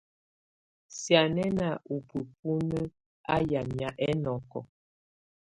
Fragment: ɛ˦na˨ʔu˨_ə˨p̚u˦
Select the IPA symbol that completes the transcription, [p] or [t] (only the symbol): p